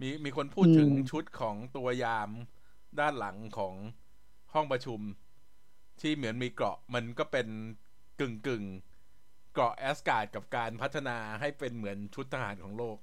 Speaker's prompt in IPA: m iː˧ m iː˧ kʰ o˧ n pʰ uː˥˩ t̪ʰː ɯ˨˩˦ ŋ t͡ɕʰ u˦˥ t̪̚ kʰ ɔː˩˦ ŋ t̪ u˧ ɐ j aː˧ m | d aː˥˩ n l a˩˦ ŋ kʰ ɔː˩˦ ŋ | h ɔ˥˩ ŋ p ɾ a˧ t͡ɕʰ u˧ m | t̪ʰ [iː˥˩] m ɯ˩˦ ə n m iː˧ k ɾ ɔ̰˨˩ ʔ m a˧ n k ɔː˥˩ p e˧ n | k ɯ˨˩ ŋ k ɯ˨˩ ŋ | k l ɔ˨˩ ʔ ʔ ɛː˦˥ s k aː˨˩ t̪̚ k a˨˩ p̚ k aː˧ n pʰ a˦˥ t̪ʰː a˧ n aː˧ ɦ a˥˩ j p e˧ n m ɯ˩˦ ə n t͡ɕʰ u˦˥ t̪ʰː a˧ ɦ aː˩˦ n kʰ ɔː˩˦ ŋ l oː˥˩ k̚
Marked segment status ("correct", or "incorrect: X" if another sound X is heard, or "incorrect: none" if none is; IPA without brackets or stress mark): correct